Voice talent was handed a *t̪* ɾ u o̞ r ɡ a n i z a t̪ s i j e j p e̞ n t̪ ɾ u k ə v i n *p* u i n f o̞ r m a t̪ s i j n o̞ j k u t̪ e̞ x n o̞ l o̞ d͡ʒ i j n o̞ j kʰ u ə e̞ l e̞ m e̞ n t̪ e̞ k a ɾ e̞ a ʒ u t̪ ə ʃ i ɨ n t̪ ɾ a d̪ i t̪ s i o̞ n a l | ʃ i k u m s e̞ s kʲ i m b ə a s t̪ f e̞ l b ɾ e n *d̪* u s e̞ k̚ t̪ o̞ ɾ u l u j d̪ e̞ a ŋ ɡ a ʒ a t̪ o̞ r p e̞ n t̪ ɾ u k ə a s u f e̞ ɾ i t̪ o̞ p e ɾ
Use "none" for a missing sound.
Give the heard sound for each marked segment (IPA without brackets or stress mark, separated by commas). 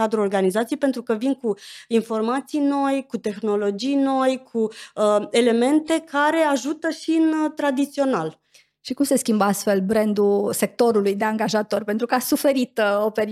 d̪, k, d̪